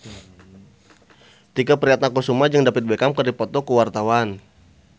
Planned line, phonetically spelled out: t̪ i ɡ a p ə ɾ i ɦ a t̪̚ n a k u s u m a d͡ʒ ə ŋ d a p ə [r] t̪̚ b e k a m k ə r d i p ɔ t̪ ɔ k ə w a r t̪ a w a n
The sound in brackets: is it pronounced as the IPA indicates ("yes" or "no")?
no